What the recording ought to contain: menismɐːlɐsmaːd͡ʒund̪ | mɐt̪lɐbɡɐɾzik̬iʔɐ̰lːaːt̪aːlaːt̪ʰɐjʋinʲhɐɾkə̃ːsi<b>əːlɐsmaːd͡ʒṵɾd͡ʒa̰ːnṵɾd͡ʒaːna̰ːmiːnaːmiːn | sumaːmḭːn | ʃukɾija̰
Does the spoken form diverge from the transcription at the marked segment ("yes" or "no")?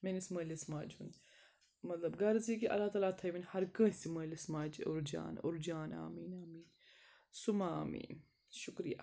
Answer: yes